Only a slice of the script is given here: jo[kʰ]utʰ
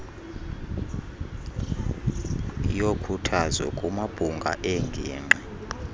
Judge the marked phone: correct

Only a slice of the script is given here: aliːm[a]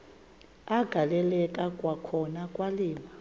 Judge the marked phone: correct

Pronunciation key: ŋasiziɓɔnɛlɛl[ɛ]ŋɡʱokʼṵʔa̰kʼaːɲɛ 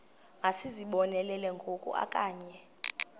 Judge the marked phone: correct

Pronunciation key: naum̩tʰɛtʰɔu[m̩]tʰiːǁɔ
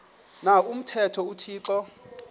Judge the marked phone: incorrect: none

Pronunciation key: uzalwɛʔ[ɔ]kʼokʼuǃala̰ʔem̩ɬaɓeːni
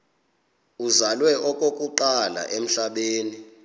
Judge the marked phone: correct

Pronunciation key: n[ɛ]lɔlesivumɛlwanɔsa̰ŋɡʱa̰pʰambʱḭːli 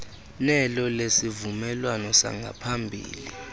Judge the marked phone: correct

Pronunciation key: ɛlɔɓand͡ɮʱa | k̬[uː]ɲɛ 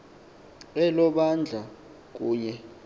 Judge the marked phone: correct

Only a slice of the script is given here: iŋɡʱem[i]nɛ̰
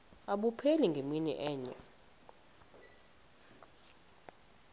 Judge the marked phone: correct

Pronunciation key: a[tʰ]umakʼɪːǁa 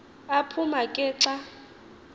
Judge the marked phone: incorrect: pʰ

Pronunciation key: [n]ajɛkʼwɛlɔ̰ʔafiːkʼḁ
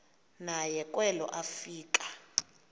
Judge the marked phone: correct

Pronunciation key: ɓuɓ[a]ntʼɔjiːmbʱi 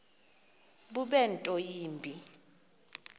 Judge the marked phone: incorrect: ɛ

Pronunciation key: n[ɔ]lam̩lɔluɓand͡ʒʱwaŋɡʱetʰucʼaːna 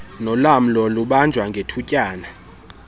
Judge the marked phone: correct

